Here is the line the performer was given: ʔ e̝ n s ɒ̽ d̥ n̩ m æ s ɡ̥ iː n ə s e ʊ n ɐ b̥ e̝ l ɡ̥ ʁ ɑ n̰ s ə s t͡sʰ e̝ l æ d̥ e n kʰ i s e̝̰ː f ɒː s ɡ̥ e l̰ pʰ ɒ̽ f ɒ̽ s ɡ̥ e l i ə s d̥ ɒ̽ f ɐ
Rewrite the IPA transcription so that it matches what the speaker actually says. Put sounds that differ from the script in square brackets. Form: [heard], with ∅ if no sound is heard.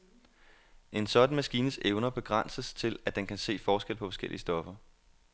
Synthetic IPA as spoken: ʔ e̝ n s ɒ̽ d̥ n̩ m æ s ɡ̥ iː n ə s e ʊ n ɐ b̥ e̝ [∅] ɡ̥ ʁ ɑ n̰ s ə s t͡sʰ e̝ l æ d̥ e n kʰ [æ] s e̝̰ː f ɒː s ɡ̥ e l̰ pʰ ɒ̽ f ɒ̽ s ɡ̥ e l i ə s d̥ ɒ̽ f ɐ

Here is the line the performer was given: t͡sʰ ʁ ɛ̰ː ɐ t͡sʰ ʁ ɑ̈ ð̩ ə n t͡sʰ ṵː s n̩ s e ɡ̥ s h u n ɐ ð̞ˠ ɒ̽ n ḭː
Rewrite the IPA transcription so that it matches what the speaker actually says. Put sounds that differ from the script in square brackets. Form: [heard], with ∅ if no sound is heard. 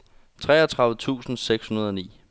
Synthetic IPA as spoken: t͡sʰ ʁ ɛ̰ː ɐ t͡sʰ ʁ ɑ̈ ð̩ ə [∅] t͡sʰ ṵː s n̩ s e ɡ̥ s h u n ɐ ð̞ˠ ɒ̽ n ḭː

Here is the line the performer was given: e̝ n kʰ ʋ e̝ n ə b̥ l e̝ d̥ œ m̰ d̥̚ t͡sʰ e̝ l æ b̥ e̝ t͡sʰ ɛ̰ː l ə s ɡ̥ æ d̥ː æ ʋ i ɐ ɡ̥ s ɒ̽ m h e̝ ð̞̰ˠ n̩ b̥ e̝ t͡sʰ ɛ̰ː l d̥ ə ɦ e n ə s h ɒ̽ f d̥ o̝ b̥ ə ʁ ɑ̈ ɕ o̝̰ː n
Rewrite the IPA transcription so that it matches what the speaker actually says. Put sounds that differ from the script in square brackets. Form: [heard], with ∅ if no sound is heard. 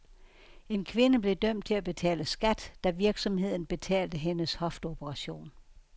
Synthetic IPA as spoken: e̝ n kʰ ʋ e̝ n ə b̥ l e̝ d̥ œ m̰ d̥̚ t͡sʰ e̝ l æ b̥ e̝ t͡sʰ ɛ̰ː l ə s ɡ̥ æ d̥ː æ ʋ i ɐ ɡ̥ s ɒ̽ m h e̝ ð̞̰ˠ n̩ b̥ e̝ t͡sʰ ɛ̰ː l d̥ ə ɦ e n ə s h ɒ̽ f d̥ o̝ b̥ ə ʁ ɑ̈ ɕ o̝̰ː n

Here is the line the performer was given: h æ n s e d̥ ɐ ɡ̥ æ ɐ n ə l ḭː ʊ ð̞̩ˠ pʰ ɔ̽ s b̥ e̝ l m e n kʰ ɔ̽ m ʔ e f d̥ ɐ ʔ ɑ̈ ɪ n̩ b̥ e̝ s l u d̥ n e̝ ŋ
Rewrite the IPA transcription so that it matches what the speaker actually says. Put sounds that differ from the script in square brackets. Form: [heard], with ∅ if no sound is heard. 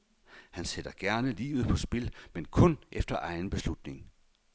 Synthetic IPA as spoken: h æ n s e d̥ ɐ ɡ̥ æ ɐ n ə l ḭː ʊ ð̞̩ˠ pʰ [ɒ̽] s b̥ e̝ l m e n kʰ ɔ̽ [n] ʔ e f d̥ ɐ ʔ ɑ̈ ɪ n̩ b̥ e̝ s l u d̥ n e̝ ŋ

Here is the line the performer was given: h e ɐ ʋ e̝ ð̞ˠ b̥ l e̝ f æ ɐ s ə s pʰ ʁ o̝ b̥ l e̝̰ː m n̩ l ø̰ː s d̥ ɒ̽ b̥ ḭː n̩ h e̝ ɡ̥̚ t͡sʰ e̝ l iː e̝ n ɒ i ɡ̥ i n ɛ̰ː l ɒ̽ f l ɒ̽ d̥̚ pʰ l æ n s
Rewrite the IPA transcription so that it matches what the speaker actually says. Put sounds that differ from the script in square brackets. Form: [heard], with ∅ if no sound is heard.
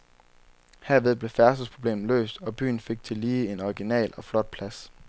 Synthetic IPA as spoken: h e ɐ ʋ e̝ ð̞ˠ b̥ l e̝ f æ ɐ s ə s pʰ ʁ o̝ b̥ l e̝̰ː m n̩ l ø̰ː s d̥ ɒ̽ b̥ [y̰ː] n̩ [f] e̝ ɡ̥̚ t͡sʰ e̝ l iː e̝ n ɒ i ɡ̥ i n ɛ̰ː l ɒ̽ f l ɒ̽ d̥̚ pʰ l æ [∅] s

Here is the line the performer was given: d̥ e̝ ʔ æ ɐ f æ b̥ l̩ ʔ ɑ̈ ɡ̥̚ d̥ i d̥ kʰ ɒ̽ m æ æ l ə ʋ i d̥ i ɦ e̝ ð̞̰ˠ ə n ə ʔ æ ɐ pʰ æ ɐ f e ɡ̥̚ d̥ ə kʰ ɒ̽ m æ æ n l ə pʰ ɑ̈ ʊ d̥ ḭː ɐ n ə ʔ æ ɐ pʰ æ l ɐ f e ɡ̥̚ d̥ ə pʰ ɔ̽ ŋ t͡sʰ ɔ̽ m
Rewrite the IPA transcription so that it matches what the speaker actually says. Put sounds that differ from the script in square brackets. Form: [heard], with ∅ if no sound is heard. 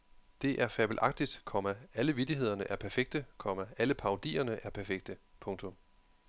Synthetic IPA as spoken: d̥ e̝ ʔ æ ɐ f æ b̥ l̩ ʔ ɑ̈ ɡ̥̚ d̥ i d̥ kʰ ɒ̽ m æ æ l ə ʋ i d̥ i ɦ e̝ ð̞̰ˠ [ɐ] n ə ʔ æ ɐ pʰ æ ɐ f e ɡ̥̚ d̥ ə kʰ ɒ̽ m æ æ [∅] l ə pʰ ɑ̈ ʊ d̥ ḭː ɐ n ə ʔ æ ɐ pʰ æ [∅] ɐ f e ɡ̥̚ d̥ ə pʰ ɔ̽ ŋ t͡sʰ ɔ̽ m

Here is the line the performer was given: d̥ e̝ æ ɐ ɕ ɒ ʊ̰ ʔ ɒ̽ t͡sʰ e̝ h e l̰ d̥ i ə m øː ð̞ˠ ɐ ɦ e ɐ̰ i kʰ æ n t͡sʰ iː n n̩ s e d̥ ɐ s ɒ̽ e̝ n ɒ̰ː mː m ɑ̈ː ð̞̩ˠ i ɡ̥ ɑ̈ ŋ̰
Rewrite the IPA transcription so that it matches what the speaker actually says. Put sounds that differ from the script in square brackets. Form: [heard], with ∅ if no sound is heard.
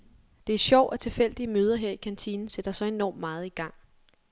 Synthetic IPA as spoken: d̥ e̝ æ ɐ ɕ ɒ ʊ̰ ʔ ɒ̽ t͡sʰ e̝ [f] e l̰ d̥ i ə m øː ð̞ˠ ɐ ɦ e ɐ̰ i kʰ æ n t͡sʰ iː n n̩ s e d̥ ɐ s ɒ̽ e̝ n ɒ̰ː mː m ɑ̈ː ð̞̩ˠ i ɡ̥ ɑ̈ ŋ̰

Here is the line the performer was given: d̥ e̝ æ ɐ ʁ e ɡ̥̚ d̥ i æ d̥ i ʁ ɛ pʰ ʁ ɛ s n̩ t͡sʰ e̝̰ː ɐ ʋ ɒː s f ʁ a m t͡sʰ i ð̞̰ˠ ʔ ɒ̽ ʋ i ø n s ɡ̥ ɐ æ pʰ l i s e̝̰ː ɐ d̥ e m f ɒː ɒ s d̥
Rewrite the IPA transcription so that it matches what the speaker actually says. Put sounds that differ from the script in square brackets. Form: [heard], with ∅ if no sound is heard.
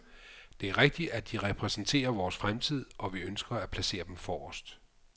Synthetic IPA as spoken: d̥ e̝ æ ɐ ʁ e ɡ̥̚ d̥ i æ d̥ i ʁ ɛ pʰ ʁ ɛ s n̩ t͡sʰ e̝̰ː ɐ ʋ ɒː s f ʁ a m t͡sʰ i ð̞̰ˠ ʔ ɒ̽ ʋ i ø n s ɡ̥ ɐ æ pʰ l [æ] s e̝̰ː ɐ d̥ e m f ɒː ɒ s d̥

